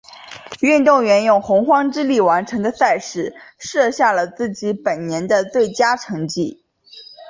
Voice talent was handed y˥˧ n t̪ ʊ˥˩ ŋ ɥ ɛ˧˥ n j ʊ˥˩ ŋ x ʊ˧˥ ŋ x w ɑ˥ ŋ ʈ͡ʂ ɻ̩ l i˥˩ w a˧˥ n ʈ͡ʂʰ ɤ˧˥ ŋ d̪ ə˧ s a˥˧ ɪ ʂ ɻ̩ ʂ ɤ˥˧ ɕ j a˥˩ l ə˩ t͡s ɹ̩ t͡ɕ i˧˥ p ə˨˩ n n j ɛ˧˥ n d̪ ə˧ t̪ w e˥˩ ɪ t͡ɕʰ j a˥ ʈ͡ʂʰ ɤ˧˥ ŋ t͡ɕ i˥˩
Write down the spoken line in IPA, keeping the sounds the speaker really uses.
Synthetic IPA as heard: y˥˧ n t̪ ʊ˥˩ ŋ ɥ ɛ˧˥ n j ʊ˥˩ ŋ x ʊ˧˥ ŋ x w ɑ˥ ŋ ʈ͡ʂ ɻ̩ l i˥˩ w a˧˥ n ʈ͡ʂʰ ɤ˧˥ ŋ d̪ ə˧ s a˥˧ ɪ ʂ ɻ̩ ʂ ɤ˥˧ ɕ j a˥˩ l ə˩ t͡s ɹ̩ t͡ɕ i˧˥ p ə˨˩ n n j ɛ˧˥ n d̪ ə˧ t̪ w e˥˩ ɪ t͡ɕ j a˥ ʈ͡ʂʰ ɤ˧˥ ŋ t͡ɕ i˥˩